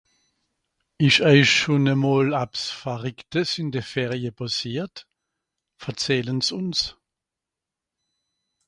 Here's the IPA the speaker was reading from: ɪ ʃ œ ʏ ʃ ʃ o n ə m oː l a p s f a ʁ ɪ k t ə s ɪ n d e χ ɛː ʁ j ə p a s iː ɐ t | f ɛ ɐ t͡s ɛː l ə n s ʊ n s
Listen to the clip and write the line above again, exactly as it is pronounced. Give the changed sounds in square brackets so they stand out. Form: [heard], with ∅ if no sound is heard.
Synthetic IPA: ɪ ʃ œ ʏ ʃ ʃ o n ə m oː l a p s f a ʁ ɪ k t ə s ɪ n d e [f] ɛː ʁ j ə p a s iː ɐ t | f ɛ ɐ t͡s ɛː l ə n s ʊ n s